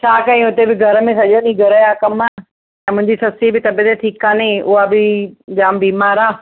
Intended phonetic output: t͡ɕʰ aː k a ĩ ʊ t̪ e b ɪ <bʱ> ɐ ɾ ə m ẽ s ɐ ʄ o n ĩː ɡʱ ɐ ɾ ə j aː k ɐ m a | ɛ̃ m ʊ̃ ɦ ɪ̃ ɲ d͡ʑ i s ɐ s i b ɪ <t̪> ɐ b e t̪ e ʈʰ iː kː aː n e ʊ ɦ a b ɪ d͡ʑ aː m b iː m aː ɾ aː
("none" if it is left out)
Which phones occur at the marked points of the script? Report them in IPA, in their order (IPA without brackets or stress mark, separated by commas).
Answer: ɡʱ, t̪